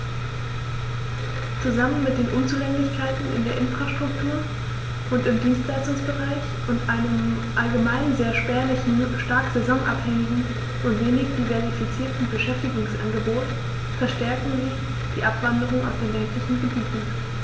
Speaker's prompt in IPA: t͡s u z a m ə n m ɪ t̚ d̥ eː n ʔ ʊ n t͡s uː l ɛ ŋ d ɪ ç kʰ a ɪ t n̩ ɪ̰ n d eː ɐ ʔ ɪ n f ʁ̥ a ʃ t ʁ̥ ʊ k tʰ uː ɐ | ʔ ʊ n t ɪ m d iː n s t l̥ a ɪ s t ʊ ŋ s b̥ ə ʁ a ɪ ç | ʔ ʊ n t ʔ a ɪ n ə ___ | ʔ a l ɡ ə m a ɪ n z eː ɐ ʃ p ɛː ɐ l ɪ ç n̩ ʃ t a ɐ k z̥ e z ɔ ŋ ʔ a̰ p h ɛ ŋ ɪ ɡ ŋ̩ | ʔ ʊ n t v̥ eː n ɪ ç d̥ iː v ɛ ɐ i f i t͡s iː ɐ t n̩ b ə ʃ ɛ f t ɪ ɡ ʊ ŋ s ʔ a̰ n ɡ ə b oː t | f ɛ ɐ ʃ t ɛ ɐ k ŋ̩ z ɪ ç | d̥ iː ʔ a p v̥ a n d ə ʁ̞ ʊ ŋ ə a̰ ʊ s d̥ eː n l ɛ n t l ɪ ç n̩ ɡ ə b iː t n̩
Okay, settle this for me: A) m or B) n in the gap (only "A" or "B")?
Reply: A